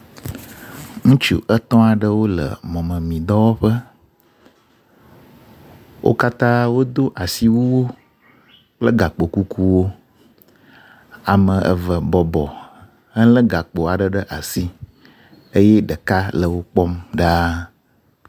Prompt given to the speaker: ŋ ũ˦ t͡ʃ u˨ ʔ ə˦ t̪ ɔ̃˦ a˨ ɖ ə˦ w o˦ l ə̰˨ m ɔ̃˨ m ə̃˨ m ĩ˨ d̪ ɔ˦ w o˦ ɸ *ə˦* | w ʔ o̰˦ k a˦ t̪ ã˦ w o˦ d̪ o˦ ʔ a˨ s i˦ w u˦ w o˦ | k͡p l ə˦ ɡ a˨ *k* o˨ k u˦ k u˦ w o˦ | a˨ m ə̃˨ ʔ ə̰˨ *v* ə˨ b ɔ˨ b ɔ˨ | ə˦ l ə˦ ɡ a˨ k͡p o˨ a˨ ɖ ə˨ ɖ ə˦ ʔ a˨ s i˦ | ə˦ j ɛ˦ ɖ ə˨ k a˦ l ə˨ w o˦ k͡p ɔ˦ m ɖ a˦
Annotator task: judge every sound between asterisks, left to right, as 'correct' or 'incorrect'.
correct, incorrect: k͡p, correct

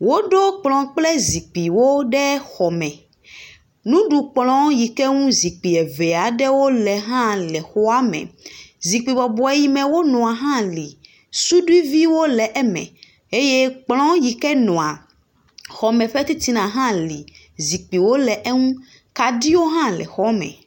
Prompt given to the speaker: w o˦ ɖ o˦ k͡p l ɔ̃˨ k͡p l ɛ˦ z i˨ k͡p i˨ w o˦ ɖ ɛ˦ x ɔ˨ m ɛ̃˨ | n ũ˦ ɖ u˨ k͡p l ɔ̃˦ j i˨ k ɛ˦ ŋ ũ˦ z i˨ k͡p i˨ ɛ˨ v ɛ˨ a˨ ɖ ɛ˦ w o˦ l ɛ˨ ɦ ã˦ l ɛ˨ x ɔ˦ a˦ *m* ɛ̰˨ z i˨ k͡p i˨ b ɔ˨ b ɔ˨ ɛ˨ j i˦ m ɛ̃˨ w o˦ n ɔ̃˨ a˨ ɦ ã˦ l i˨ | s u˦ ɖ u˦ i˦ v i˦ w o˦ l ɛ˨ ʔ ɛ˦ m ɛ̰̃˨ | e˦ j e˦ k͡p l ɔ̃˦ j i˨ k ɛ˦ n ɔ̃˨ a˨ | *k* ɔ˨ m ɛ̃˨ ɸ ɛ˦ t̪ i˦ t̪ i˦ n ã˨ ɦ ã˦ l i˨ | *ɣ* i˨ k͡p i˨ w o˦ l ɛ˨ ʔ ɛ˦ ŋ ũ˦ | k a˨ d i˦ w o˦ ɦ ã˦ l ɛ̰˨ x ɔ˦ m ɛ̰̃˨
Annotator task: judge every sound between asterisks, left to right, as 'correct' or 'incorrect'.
correct, incorrect: x, incorrect: z

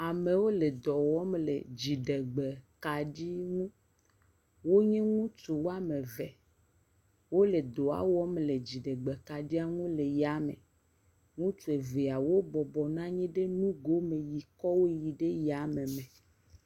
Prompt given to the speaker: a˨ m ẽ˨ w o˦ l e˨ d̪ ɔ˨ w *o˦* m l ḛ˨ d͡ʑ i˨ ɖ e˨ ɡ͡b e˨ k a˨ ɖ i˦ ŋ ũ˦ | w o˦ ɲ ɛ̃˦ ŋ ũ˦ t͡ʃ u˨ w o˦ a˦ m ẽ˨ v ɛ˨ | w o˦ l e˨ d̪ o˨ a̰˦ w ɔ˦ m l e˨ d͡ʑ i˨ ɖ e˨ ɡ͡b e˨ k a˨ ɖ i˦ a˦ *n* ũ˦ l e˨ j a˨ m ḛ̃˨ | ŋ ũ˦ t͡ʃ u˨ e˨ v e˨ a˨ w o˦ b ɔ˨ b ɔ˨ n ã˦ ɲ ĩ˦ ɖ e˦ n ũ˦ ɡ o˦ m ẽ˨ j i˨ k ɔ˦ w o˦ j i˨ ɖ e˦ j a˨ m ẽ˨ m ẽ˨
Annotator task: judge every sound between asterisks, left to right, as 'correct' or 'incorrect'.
incorrect: ɔ˦, incorrect: ŋ

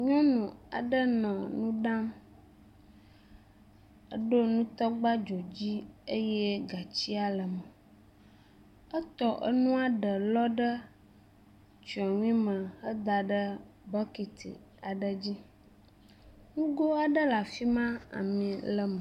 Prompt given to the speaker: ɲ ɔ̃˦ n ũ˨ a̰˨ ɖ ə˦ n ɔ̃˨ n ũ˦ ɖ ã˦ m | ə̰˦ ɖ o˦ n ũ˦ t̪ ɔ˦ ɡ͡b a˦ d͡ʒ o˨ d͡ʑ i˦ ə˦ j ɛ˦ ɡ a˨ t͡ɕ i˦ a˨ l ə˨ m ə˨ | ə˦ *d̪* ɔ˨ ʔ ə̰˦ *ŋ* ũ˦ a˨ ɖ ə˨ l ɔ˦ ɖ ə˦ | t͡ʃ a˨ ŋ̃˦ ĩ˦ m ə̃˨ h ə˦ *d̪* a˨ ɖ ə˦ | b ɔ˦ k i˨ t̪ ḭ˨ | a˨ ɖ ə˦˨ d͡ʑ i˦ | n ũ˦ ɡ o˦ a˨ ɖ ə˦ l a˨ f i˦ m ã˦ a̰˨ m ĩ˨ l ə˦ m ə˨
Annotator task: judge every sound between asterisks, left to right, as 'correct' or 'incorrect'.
incorrect: t̪, incorrect: n, correct

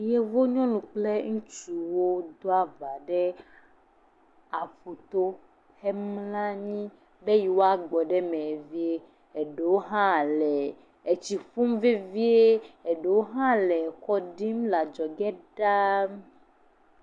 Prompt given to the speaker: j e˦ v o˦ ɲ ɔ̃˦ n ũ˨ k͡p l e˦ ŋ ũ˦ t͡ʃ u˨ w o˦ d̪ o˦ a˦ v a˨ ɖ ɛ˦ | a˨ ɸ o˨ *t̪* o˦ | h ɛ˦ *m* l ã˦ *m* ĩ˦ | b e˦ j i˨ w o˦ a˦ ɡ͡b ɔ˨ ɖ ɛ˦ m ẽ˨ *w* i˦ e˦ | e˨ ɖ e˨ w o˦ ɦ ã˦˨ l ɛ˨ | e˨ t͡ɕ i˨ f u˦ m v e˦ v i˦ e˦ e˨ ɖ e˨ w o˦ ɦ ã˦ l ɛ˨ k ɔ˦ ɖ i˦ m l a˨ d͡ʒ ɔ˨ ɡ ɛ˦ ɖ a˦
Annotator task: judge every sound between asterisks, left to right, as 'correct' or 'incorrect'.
correct, correct, incorrect: ɲ, incorrect: v

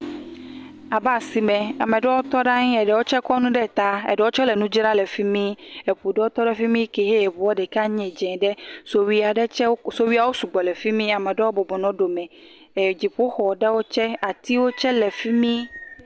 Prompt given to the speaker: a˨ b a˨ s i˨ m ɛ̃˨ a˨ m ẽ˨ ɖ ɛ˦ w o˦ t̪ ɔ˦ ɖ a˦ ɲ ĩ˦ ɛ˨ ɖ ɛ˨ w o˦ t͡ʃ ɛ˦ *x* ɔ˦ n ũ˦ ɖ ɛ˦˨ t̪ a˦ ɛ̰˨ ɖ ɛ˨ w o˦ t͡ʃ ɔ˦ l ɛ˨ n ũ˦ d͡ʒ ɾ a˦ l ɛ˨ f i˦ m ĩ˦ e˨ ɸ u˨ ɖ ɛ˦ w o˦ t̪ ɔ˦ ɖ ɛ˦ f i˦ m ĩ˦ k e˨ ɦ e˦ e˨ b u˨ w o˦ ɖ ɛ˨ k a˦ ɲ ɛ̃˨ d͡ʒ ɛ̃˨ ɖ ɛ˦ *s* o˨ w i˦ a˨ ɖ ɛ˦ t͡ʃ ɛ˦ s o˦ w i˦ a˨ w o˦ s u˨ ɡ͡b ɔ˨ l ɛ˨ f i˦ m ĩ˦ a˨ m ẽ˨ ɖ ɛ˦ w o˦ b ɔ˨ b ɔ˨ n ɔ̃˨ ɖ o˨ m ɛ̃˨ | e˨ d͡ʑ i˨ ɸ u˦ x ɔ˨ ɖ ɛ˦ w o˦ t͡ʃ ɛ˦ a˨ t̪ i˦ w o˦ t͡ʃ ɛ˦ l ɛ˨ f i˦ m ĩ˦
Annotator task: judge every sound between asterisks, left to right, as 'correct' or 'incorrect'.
incorrect: k, correct

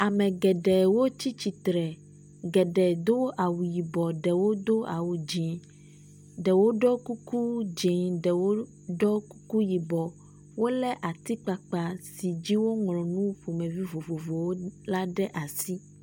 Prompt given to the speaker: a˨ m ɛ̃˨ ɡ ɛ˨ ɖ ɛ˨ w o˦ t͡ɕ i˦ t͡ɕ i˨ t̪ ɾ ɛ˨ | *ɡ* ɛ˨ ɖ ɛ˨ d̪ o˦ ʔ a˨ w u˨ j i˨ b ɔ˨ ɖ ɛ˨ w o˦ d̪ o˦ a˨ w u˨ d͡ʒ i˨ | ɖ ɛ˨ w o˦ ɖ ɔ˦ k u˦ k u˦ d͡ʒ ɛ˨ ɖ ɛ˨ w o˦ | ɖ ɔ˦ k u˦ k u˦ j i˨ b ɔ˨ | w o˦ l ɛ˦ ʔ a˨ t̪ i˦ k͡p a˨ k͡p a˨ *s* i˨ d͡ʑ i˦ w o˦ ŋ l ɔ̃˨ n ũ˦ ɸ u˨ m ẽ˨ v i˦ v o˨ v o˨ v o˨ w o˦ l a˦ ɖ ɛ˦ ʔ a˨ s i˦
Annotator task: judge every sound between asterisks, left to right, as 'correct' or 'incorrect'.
correct, correct

